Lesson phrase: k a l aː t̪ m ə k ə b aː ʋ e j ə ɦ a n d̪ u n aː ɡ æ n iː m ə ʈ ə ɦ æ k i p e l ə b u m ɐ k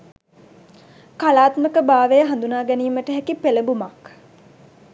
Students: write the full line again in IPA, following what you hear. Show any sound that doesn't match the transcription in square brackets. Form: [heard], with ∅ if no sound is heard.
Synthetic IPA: k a l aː t̪ m ə k ə b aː ʋ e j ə ɦ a n d̪ u n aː ɡ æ n iː m ə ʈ ə ɦ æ k i p e l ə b u m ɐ k